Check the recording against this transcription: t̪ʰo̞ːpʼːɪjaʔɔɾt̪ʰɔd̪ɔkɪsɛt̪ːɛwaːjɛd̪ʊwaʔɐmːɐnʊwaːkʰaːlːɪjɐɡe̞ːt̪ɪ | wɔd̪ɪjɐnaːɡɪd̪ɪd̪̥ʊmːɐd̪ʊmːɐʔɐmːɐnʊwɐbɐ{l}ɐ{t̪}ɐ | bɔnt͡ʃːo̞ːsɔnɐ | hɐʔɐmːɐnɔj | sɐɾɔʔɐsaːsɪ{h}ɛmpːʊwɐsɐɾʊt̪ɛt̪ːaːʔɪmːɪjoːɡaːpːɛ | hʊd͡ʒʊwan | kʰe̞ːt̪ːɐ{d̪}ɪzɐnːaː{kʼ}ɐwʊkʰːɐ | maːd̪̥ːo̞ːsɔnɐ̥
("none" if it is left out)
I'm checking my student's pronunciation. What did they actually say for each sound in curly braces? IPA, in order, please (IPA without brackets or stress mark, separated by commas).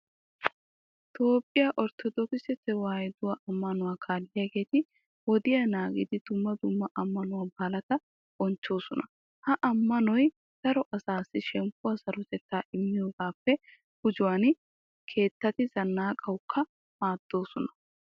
l, t̪, ʃ, t̪, kʼ